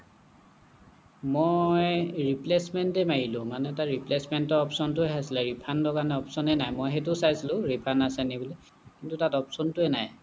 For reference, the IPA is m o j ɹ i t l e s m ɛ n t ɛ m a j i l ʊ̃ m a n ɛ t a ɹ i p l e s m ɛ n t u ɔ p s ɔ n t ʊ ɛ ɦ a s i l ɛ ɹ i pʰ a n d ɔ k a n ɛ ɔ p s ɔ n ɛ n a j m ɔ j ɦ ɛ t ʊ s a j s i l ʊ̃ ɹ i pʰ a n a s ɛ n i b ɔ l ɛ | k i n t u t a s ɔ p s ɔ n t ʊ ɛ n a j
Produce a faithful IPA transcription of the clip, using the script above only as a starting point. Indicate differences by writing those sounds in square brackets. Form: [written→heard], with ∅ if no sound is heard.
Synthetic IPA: m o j ɹ i [t→p] l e s m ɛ n t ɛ m a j i l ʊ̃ m a n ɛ t a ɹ i p l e s m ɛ n t [u→ɔ] ɔ p s ɔ n t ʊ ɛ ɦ a s i l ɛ ɹ i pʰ a n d ɔ k a n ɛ ɔ p s ɔ n ɛ n a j m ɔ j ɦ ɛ t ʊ s a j s i l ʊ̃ ɹ i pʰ a n a s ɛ n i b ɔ l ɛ | k i n t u t a [s→t] ɔ p s ɔ n t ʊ ɛ n a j

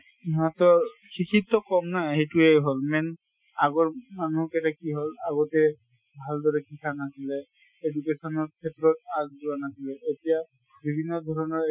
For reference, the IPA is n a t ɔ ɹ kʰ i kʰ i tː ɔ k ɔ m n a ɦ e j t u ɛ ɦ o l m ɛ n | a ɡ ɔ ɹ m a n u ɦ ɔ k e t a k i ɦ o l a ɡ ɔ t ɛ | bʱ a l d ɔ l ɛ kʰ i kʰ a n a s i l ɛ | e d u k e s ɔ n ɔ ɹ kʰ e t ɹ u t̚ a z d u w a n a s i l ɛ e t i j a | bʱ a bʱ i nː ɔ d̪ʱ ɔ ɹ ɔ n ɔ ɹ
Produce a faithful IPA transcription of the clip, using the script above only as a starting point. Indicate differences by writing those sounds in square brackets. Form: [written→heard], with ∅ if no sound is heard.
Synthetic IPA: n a t ɔ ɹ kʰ i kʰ i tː ɔ k ɔ m n a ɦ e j t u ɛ ɦ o l m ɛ n | a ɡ ɔ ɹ m a n u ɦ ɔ k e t a k i ɦ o l a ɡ ɔ t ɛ | bʱ a l d ɔ [l→ɹ] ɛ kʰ i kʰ a n a s i l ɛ | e d u k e s ɔ n ɔ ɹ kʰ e t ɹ [u→ɔ] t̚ a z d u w a n a s i l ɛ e t i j a | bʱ [a→i] bʱ i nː ɔ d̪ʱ ɔ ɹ ɔ n ɔ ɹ

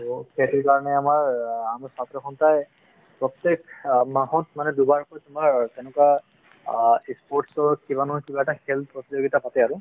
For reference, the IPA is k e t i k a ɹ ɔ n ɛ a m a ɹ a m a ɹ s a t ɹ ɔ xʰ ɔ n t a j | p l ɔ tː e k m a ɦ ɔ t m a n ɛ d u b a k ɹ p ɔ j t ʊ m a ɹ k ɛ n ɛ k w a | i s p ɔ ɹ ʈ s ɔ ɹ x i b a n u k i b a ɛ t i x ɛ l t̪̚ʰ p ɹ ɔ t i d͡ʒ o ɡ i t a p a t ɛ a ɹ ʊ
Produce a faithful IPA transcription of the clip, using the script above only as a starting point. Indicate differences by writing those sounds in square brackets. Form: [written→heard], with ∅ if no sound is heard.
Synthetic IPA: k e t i k a ɹ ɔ n ɛ a m a ɹ a m a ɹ s a t ɹ ɔ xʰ ɔ n t a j | p [l→ɹ] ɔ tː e k m a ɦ ɔ t m a n ɛ d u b a [k→∅] ɹ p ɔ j t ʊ m a ɹ [k→t] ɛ n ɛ k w a | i s p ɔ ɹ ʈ s ɔ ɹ [x→k] i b a n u k i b a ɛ t [i→a] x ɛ l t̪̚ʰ p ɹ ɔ t i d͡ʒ o ɡ i t a p a t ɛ a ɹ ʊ

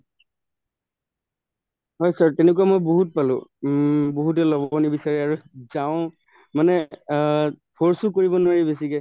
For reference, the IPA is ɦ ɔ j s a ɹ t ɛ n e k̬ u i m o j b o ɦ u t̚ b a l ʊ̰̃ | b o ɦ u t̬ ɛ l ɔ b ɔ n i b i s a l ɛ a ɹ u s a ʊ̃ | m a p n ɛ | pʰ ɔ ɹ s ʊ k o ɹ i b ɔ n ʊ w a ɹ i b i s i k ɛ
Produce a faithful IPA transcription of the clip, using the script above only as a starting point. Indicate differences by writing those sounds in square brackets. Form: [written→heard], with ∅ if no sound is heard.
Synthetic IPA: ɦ ɔ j s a ɹ t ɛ n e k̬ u [i→a] m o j b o ɦ u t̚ [b→p] a l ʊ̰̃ | b o ɦ u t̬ ɛ l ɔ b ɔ n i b i s a [l→ɹ] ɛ a ɹ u [s→z] a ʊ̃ | m a [p→∅] n ɛ | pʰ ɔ ɹ s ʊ k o ɹ i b ɔ n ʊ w a ɹ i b [i→e] s i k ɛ

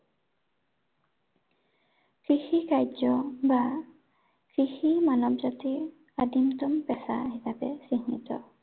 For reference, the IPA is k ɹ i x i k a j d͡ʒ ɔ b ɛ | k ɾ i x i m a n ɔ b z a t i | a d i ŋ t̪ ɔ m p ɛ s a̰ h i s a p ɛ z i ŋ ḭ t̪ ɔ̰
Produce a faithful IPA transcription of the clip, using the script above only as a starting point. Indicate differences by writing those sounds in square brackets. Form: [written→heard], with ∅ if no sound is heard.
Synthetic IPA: k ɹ i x i k a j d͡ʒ ɔ b [ɛ→a] | k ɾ i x i m a n ɔ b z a t i | a d i [ŋ→m] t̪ ɔ m p ɛ s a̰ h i s a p ɛ [z→s] i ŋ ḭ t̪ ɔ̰

